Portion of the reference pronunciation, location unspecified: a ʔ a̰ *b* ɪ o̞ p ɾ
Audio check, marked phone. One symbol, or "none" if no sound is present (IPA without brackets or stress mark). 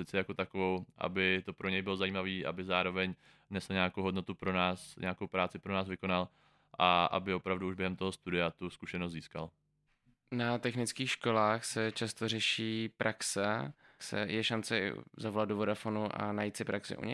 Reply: b